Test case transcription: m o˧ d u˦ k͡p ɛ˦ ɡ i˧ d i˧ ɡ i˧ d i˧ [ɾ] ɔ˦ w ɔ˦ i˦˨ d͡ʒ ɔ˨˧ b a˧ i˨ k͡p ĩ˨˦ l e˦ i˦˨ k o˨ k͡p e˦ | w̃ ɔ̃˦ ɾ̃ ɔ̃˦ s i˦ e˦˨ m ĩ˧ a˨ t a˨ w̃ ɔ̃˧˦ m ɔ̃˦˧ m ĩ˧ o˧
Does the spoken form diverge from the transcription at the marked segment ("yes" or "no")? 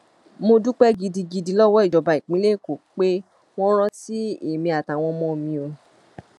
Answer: yes